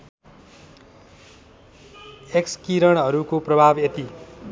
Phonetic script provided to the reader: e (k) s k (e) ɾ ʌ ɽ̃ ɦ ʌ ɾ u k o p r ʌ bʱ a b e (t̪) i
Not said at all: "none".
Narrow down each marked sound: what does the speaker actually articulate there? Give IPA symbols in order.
k, i, t̪

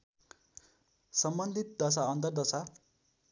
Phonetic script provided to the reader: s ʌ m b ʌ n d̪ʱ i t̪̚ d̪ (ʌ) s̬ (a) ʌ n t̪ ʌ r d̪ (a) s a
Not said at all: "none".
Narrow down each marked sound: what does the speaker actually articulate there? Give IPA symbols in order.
ʌ, a, ʌ

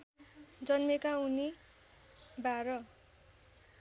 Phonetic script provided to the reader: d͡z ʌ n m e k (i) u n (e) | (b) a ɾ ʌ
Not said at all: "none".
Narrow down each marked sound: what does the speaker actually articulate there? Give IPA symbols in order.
a, i, b

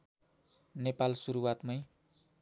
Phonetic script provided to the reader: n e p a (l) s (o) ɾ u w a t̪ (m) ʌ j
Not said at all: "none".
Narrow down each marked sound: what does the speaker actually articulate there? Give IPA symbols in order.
l, u, m

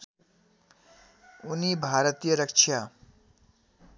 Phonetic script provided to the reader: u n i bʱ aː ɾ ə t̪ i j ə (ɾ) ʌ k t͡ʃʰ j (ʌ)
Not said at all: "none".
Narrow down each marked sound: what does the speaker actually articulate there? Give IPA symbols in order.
ɾ, a

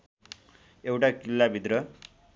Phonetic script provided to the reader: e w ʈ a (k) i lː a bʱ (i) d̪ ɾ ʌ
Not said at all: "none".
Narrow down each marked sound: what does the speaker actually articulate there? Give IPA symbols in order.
k, i

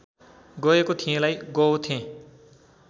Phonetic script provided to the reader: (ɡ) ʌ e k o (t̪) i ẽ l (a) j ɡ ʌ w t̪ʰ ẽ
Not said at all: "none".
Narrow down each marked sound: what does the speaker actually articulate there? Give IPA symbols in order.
ɡ, t̪ʰ, a

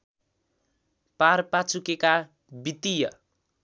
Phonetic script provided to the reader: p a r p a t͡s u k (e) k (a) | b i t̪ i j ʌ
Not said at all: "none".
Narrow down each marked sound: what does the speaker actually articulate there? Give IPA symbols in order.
e, a

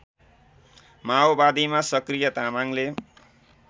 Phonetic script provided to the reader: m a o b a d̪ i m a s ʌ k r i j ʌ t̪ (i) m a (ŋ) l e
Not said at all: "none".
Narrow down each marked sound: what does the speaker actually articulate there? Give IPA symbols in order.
a, ŋ

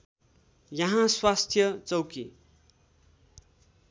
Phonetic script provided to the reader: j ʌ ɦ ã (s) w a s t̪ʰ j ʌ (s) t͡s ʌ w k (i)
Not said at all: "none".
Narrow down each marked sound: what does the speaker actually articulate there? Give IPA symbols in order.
s, none, i

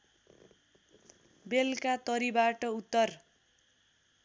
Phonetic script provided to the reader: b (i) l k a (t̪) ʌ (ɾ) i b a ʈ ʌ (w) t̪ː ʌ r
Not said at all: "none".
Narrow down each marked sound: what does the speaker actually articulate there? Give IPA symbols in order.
e, t̪, ɾ, u

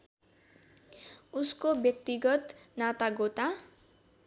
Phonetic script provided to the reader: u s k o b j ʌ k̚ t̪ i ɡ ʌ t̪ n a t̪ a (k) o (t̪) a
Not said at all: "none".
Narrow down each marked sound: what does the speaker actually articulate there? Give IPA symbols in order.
ɡ, t̪

